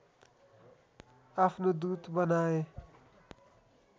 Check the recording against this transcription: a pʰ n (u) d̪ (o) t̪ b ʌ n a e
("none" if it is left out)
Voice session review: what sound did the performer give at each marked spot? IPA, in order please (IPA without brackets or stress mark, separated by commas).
o, u